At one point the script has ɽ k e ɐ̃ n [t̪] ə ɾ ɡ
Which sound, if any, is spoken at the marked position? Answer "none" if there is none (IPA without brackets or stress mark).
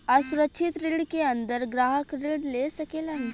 d̪